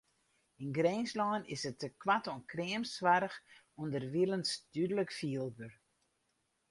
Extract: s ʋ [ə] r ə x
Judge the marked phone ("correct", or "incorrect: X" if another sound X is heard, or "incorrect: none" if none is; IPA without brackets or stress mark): incorrect: a